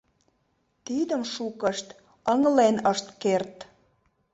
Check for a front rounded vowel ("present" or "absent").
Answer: absent